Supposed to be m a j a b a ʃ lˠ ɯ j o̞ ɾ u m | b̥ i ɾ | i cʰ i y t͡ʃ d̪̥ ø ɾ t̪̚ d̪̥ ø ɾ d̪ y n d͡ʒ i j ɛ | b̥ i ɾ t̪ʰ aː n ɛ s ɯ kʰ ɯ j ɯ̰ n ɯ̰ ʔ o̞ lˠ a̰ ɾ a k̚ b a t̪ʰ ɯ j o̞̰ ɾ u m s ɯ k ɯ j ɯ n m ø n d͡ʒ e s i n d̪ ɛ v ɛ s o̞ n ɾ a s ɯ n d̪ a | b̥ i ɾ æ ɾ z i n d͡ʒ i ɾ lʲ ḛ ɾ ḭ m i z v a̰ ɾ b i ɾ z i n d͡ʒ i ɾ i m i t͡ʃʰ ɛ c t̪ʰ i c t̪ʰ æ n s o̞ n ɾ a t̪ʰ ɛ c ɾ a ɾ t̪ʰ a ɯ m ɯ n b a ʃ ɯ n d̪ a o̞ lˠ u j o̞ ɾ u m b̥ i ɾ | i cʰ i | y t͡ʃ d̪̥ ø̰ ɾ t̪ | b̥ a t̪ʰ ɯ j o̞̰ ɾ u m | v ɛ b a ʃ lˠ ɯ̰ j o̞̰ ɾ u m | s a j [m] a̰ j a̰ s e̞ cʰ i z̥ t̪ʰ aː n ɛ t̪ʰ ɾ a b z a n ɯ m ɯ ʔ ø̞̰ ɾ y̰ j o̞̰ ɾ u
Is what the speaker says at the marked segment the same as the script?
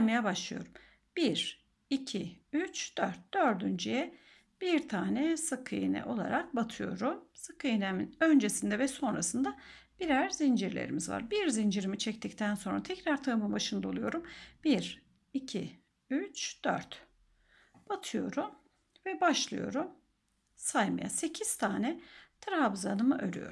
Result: yes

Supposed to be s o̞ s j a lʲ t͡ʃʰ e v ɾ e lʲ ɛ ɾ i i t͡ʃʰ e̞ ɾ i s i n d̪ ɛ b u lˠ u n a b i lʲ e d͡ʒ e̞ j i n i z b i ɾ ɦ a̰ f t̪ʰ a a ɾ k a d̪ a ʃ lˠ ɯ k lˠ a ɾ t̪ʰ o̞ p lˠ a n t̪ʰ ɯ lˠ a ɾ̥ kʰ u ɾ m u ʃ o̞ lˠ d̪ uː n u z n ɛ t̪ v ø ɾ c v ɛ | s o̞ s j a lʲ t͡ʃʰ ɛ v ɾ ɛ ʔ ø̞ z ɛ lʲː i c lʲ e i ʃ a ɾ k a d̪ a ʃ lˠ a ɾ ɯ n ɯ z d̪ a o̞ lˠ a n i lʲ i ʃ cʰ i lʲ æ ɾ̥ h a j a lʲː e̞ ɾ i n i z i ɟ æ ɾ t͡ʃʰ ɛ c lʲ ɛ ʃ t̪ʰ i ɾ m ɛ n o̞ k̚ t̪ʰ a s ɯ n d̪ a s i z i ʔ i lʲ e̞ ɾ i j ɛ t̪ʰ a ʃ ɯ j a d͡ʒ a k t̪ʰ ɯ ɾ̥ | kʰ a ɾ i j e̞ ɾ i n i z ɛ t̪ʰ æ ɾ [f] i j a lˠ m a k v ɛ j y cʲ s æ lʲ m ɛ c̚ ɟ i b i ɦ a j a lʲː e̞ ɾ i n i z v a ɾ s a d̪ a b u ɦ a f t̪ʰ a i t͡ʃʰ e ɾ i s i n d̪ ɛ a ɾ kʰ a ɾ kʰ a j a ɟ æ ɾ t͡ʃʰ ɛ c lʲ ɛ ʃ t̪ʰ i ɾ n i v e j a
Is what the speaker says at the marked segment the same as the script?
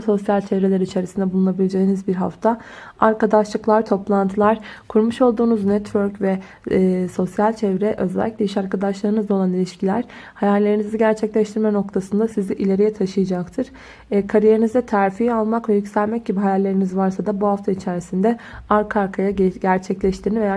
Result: yes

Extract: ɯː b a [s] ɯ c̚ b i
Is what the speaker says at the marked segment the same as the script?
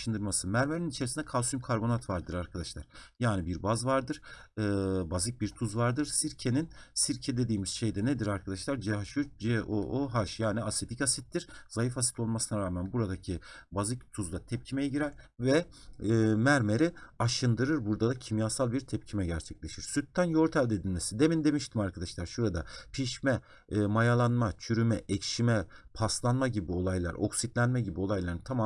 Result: no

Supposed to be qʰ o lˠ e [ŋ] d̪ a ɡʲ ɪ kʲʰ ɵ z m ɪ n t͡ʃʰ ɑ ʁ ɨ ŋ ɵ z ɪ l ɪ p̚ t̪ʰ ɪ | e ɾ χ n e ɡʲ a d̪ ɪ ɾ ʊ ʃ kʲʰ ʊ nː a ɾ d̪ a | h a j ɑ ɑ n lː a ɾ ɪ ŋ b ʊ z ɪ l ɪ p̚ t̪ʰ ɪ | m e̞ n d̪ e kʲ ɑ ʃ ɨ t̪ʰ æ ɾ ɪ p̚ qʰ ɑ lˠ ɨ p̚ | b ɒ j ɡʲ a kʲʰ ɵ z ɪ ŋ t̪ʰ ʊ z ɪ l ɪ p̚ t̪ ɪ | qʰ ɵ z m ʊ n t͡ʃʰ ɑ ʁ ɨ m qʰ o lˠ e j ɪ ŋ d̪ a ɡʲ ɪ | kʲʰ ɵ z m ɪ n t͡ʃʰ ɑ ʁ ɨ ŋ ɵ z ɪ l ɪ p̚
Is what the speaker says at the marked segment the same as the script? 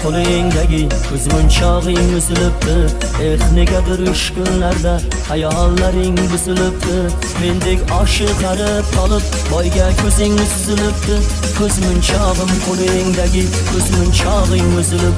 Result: yes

